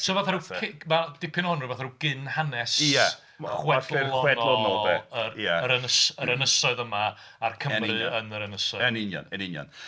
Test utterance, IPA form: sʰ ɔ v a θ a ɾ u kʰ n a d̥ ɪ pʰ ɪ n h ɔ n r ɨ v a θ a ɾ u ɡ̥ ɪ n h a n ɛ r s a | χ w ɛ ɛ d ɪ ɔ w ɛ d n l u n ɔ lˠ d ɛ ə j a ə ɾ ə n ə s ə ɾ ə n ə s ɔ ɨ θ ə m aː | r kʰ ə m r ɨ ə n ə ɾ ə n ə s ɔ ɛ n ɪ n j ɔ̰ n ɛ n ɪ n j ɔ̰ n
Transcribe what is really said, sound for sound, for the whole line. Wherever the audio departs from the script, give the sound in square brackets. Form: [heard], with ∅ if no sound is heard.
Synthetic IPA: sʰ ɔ v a θ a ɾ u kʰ [m] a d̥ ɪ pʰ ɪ n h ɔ n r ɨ v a θ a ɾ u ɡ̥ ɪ n h a n ɛ [∅] s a | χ w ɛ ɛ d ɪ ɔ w ɛ d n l [ɔ] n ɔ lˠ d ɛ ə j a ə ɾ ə n ə s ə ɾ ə n ə s ɔ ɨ [ð] ə m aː | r kʰ ə m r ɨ ə n ə ɾ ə n ə s ɔ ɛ n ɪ n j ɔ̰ n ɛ n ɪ n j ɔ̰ n